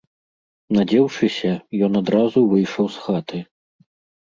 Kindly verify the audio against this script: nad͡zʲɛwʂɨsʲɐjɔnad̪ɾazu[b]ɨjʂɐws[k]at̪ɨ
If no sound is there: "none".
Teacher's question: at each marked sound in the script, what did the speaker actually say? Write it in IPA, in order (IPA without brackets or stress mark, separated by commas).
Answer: v, x